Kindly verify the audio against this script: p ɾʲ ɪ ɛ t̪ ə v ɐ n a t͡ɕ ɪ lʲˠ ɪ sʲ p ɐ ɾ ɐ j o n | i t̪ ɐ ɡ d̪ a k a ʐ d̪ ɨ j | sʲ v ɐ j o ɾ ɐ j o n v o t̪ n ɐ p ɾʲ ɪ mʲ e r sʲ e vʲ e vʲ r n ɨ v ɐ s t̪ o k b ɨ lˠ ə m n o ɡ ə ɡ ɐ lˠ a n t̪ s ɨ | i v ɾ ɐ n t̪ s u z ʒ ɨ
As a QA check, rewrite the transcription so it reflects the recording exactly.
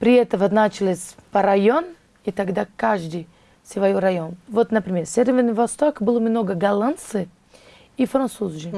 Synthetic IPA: p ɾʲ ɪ ɛ t̪ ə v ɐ n a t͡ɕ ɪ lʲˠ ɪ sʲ p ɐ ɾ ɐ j o n | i t̪ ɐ ɡ d̪ a k a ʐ d̪ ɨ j | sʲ v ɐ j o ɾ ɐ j o n v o t̪ n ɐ p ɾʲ ɪ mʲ e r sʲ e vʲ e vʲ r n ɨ v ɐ s t̪ o k b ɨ lˠ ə m n o ɡ ə ɡ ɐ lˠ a n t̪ s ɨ | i f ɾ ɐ n t̪ s u z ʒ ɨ